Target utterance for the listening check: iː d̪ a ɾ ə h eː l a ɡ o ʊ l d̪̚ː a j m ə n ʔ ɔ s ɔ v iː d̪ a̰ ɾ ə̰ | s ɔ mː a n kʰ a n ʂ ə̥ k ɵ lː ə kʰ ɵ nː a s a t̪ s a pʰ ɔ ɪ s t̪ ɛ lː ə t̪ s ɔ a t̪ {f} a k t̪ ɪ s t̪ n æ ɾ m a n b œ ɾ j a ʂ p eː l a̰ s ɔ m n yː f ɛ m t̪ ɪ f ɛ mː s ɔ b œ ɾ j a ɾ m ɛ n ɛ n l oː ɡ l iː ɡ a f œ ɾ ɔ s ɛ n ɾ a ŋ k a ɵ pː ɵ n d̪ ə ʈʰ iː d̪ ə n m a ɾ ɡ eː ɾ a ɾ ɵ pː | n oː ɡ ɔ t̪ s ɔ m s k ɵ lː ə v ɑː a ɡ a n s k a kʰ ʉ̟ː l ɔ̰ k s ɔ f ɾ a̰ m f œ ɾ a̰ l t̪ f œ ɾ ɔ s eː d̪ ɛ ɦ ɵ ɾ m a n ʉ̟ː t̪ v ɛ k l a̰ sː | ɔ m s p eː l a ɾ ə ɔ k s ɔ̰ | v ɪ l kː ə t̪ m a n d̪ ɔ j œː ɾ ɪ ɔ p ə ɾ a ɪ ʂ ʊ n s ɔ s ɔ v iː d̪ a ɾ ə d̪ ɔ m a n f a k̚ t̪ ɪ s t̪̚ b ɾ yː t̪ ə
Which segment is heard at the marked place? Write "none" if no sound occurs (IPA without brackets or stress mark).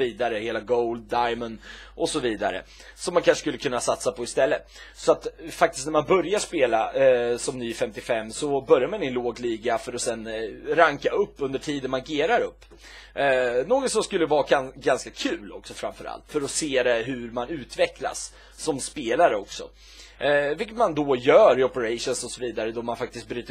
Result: f